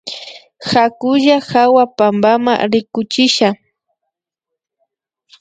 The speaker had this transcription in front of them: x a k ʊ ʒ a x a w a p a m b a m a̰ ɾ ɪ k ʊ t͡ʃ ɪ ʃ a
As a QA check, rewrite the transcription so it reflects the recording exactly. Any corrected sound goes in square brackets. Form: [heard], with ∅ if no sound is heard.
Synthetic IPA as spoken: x a k ʊ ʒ a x a w a p a m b a m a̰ ɾ ɪ k ʊ t͡ʃ ɪ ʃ a